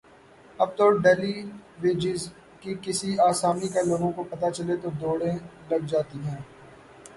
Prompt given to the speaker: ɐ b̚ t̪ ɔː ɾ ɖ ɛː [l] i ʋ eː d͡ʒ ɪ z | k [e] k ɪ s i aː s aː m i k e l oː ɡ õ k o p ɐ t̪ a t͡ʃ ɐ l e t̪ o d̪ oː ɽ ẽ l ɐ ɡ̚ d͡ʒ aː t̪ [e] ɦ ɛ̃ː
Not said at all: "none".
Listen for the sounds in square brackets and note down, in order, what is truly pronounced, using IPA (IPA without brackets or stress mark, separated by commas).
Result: l, i, i